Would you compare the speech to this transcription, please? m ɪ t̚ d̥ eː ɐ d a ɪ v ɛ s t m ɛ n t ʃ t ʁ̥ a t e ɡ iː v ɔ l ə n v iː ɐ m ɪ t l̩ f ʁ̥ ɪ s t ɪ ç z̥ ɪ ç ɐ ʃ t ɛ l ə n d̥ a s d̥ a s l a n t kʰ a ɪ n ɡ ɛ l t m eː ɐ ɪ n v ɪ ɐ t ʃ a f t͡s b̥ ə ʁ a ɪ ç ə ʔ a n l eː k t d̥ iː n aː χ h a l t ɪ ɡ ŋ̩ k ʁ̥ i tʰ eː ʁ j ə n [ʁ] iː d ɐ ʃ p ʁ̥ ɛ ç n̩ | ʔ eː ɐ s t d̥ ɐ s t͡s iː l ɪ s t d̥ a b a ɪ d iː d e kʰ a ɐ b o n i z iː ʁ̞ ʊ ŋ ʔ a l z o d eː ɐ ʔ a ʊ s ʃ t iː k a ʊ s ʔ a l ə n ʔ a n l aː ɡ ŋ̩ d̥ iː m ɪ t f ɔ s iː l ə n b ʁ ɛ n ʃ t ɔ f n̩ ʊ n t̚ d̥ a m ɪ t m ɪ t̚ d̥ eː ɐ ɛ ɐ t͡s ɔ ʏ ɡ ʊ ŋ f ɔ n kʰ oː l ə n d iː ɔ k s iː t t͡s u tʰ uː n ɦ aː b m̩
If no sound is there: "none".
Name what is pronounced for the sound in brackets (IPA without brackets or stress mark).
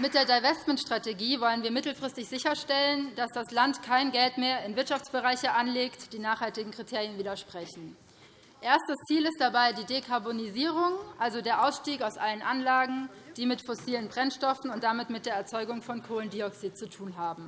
v